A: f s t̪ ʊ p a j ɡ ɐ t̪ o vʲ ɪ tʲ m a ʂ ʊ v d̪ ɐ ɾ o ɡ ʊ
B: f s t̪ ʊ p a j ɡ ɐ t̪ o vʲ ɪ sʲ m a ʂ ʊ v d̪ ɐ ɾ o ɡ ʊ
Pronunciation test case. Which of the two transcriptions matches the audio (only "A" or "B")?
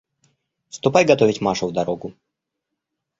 A